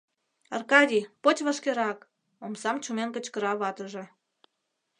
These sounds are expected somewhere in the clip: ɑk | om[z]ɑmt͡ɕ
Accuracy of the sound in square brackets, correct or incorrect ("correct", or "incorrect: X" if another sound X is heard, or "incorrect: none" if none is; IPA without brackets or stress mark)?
incorrect: s